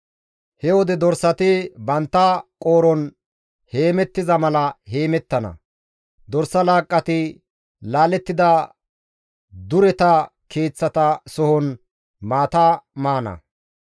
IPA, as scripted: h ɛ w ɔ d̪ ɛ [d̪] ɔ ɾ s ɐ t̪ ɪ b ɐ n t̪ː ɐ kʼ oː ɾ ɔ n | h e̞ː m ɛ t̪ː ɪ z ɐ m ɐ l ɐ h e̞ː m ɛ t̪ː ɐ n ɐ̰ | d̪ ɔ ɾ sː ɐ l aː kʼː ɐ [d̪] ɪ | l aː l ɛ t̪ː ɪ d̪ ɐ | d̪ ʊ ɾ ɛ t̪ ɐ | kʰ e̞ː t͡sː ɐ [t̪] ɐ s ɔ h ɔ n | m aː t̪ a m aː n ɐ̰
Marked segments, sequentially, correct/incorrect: correct, incorrect: t̪, correct

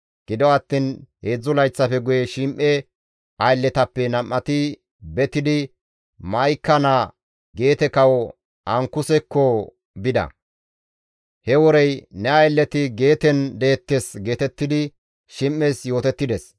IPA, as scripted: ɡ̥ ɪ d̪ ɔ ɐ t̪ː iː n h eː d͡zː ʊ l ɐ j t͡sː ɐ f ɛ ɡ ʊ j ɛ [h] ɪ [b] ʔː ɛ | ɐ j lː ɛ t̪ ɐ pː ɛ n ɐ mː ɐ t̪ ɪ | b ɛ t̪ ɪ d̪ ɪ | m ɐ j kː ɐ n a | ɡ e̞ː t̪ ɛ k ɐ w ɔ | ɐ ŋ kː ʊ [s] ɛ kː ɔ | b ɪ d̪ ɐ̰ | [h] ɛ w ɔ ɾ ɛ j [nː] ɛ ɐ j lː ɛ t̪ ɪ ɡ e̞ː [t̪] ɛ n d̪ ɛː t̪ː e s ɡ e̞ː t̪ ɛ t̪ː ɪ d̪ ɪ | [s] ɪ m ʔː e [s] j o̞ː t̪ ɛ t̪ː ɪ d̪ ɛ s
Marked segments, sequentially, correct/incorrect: incorrect: ʃ, incorrect: m, correct, correct, incorrect: n, correct, incorrect: ʃ, correct

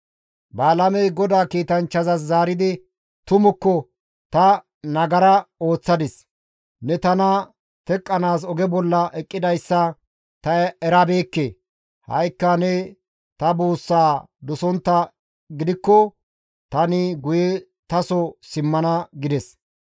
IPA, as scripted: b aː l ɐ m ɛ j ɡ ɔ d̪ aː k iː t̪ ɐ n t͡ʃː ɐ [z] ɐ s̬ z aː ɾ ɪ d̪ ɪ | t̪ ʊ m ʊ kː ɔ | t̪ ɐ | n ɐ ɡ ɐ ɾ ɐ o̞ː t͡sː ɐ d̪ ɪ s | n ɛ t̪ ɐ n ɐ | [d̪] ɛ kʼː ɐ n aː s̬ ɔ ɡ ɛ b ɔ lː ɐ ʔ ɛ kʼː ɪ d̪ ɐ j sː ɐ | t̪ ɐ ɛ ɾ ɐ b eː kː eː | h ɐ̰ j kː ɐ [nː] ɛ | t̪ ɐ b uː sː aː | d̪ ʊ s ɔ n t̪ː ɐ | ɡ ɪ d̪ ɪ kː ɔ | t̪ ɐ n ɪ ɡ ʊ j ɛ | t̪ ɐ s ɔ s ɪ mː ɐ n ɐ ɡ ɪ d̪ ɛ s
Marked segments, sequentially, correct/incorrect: correct, incorrect: t̪, incorrect: n

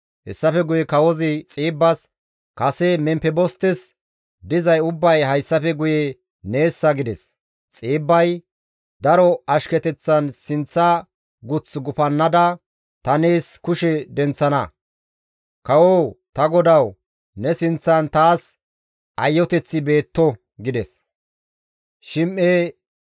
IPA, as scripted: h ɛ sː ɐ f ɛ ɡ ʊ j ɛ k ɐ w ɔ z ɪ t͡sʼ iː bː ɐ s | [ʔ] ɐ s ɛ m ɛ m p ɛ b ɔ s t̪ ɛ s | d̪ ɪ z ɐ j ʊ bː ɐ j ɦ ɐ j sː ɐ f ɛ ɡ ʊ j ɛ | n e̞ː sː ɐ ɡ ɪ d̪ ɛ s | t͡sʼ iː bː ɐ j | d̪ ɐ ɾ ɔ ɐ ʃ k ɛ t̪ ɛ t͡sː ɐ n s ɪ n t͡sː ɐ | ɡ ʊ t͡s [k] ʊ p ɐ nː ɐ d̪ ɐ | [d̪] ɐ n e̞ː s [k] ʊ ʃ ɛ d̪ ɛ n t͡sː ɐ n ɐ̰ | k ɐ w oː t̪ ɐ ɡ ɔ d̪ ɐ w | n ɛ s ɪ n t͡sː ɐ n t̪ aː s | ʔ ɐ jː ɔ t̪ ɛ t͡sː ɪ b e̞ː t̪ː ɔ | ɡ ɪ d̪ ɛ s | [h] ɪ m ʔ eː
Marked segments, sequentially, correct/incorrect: incorrect: k, incorrect: ɡ, incorrect: t̪, correct, incorrect: ʃ

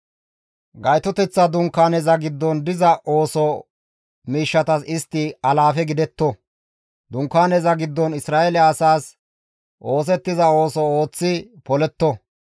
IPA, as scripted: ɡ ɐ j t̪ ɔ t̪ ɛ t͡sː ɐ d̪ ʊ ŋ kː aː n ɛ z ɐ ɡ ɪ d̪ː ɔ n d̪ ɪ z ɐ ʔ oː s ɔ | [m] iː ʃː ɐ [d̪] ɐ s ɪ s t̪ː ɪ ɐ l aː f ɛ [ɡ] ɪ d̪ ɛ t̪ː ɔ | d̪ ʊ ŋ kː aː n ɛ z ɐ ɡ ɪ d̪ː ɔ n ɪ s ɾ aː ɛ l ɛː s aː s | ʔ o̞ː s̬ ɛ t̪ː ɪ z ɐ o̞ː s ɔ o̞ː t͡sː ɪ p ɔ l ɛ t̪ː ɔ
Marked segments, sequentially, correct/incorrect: correct, incorrect: t̪, correct

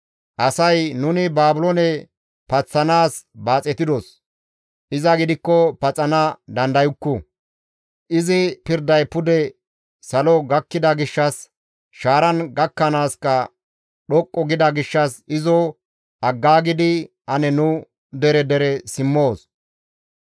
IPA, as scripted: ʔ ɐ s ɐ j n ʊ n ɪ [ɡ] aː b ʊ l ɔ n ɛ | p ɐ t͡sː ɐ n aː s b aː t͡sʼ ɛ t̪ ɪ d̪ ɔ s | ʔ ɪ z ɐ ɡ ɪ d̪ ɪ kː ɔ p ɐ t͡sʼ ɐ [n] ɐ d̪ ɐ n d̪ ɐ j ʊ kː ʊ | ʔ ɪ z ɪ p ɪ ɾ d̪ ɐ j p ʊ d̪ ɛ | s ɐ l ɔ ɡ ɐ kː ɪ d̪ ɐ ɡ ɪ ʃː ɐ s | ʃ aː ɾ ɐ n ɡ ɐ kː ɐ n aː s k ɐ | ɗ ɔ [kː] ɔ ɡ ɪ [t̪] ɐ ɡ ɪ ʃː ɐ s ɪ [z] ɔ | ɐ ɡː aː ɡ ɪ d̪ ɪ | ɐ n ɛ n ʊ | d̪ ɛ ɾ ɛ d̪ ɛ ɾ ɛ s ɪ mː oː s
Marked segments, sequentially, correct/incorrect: incorrect: b, correct, incorrect: kʼː, incorrect: d̪, correct

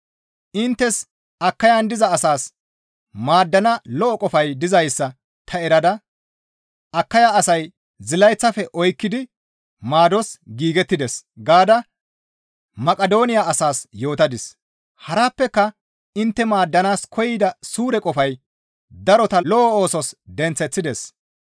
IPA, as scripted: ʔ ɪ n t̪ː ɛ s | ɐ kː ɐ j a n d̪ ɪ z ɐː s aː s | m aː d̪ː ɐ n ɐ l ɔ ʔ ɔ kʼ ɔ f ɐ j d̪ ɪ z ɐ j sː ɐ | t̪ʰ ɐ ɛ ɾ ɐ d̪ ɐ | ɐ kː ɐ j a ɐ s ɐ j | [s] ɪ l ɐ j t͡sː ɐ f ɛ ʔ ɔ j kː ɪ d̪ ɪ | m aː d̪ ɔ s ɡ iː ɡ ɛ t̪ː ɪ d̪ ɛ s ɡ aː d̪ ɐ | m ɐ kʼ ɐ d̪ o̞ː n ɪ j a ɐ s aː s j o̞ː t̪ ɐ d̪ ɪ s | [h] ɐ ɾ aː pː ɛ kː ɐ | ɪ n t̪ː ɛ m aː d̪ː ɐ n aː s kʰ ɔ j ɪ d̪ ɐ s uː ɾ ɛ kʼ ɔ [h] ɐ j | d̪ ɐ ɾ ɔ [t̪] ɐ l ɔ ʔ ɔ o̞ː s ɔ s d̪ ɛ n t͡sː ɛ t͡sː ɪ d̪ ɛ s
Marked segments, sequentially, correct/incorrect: incorrect: z, correct, incorrect: f, correct

